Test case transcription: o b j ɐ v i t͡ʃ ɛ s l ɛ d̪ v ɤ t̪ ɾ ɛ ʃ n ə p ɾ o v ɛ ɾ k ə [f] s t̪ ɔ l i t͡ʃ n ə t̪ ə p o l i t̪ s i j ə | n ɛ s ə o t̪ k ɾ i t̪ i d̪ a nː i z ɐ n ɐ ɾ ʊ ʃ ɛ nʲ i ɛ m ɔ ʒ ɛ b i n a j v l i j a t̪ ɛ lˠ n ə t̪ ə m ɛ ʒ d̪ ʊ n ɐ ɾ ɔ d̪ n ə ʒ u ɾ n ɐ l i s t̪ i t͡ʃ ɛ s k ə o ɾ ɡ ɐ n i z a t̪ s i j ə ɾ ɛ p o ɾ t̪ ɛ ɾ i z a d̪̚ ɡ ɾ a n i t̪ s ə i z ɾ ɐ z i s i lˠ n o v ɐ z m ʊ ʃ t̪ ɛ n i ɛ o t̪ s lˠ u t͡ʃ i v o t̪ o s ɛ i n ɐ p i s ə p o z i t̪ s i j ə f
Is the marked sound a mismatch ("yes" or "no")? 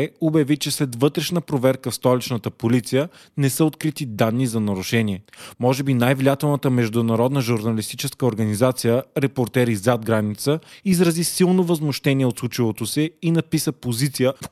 no